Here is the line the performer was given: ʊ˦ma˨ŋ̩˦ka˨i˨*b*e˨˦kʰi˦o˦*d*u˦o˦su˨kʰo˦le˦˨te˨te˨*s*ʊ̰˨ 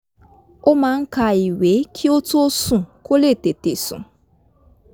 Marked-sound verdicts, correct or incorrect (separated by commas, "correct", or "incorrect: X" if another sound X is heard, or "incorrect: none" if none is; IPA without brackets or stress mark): incorrect: w, incorrect: t, correct